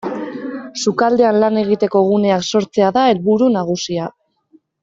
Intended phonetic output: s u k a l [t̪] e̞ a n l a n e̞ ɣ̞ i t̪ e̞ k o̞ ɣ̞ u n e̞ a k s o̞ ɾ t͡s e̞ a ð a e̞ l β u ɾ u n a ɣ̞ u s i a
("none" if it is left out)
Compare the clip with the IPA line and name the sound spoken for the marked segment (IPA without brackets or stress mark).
d̪